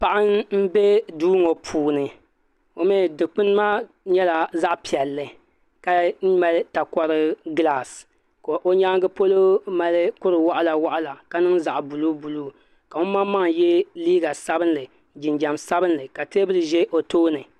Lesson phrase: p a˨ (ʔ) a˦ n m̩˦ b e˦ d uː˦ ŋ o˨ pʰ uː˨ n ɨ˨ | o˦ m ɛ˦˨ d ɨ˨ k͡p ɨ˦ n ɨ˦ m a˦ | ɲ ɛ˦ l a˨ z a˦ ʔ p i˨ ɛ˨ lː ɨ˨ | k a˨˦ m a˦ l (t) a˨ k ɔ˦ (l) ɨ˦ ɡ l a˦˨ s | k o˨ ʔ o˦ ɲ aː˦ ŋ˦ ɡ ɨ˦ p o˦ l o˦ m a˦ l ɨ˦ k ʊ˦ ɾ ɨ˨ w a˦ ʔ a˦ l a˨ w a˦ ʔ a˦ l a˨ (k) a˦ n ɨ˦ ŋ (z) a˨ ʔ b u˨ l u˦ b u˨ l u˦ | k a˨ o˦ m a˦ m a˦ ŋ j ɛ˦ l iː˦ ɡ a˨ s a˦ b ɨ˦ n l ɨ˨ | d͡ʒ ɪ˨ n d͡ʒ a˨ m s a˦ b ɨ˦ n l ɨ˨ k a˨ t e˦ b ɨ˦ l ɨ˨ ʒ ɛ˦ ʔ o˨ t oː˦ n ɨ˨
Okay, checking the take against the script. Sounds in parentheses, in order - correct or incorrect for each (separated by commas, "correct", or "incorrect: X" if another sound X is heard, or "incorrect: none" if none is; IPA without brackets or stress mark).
correct, correct, incorrect: ɾ, correct, correct